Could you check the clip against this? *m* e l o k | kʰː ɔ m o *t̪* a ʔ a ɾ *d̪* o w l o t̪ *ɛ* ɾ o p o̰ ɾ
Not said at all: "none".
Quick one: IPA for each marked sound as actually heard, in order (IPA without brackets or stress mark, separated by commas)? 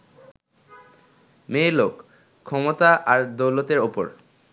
m, t̪, d̪, e